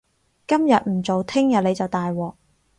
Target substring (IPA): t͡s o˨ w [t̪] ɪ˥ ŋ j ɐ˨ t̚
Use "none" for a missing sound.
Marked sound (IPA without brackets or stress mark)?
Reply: t̪ʰ